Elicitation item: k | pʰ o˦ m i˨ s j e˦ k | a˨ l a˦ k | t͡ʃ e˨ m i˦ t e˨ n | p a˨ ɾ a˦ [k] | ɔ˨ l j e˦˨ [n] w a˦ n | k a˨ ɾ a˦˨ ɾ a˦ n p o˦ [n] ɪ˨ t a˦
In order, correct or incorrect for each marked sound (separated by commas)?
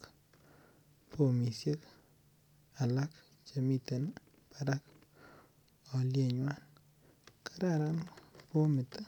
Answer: correct, incorrect, incorrect